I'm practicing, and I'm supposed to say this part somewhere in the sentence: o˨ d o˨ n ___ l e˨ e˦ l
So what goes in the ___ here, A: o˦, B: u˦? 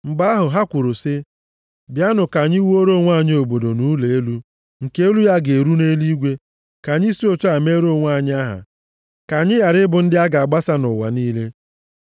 B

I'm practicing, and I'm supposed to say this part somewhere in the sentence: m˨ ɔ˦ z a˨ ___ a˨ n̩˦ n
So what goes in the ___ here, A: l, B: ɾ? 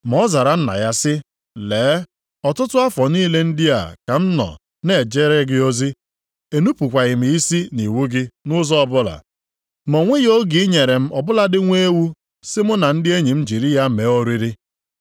B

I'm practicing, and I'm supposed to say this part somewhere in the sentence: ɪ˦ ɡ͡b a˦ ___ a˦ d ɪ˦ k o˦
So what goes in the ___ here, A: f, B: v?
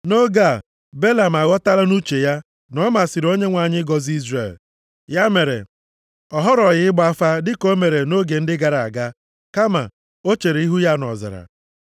A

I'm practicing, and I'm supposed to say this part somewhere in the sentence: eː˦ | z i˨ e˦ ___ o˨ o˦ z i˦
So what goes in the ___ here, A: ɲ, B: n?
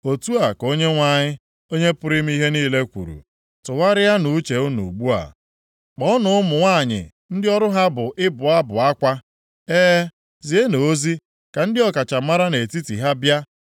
B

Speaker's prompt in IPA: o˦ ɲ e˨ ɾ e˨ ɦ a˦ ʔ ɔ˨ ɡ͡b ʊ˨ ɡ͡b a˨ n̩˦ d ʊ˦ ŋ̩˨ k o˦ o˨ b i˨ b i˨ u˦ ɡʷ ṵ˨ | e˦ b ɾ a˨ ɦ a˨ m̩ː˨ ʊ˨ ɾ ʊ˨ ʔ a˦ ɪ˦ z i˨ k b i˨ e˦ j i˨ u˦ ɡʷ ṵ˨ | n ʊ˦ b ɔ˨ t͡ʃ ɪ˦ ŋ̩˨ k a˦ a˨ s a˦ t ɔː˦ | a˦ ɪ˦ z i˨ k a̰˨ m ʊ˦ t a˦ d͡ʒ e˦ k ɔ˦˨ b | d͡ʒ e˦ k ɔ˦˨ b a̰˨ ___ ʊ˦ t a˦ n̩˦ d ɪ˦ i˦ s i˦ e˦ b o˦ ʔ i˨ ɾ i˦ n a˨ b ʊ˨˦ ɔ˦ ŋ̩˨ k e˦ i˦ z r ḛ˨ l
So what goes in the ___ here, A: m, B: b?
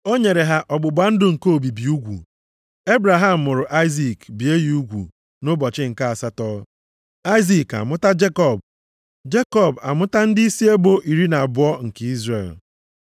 A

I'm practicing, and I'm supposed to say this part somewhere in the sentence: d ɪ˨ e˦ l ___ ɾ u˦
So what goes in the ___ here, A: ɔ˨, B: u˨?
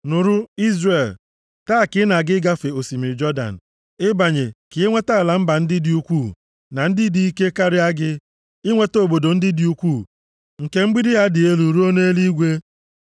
B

